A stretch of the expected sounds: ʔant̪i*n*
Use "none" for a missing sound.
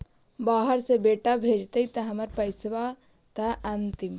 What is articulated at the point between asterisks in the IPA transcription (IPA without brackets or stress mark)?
m